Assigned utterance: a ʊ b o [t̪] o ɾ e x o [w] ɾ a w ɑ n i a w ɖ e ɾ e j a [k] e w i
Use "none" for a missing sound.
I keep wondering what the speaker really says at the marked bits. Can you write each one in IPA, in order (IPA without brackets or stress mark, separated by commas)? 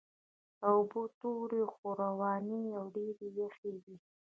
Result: t̪, none, x